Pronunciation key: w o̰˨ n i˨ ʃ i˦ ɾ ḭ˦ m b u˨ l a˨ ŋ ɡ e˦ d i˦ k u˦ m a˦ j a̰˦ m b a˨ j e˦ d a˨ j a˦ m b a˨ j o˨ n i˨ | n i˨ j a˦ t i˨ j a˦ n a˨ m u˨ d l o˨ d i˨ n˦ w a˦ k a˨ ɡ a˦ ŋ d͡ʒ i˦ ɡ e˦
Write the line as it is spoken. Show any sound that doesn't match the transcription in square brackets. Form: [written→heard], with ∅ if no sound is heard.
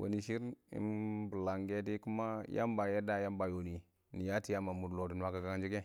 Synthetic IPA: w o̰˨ n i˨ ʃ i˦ ɾ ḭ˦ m b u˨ l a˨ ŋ ɡ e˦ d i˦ k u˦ m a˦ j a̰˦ m b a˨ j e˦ d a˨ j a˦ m b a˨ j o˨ n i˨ | n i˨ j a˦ t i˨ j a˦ [n→m] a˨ m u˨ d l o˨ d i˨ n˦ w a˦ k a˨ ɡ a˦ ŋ d͡ʒ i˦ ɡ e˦